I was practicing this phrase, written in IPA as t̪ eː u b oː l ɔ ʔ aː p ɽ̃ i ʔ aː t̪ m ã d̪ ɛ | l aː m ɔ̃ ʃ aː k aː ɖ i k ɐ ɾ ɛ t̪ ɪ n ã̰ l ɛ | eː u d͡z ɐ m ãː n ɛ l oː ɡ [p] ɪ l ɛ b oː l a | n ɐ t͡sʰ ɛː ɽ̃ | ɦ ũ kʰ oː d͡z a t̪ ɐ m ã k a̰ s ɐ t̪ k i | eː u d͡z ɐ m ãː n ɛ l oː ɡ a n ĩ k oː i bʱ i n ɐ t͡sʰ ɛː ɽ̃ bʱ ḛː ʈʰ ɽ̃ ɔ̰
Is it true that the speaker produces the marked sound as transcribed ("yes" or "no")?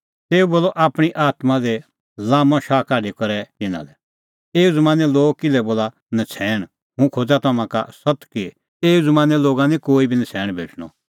no